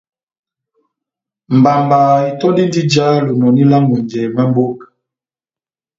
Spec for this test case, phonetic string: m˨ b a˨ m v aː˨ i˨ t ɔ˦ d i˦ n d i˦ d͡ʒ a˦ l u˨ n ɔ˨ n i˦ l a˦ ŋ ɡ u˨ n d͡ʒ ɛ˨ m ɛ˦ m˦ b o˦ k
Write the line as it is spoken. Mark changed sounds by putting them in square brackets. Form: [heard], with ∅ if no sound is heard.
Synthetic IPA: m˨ b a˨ m [b] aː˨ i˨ t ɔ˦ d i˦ n d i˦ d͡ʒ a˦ l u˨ n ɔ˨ n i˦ l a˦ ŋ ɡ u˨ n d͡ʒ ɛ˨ m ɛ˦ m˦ b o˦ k